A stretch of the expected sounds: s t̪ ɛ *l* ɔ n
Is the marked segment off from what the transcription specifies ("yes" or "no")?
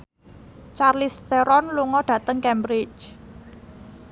yes